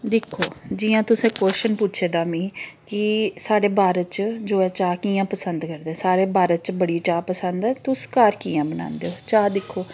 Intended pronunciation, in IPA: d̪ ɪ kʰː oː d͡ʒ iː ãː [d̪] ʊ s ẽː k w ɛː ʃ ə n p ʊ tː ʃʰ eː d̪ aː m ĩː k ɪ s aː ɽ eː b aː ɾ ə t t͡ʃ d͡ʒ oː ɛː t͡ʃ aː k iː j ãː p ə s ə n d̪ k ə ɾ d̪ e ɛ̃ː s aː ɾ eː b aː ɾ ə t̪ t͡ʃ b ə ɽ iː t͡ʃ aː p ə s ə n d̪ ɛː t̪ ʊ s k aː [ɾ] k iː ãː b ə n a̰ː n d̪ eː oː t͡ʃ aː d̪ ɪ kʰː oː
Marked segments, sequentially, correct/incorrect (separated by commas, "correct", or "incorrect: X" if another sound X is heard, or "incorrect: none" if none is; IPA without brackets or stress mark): incorrect: t̪, correct